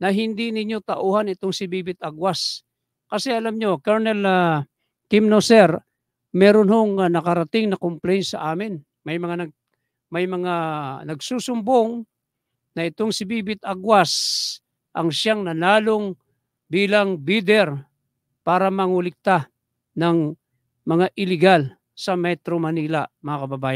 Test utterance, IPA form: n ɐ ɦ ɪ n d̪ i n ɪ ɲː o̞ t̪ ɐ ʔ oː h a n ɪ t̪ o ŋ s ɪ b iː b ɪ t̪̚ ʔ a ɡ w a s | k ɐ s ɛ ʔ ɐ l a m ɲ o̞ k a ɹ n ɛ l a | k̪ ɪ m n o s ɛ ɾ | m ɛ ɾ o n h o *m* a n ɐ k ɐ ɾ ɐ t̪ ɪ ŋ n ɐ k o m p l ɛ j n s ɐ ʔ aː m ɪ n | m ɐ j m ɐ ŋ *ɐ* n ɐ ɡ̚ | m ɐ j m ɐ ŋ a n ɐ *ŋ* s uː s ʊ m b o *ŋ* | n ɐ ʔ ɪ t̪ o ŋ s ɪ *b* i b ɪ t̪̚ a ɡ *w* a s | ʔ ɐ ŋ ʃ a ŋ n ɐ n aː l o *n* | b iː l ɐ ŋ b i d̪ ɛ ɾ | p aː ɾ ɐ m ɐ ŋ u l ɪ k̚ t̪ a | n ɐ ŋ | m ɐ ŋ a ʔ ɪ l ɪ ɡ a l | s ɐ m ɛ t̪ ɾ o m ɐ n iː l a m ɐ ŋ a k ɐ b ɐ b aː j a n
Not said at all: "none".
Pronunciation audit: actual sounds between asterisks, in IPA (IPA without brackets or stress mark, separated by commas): ŋ, a, ɡ, ŋ, b, w, ŋ